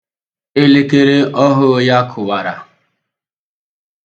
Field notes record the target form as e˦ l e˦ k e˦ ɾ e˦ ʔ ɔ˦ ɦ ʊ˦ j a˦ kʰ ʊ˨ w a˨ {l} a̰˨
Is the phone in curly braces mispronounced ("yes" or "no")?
yes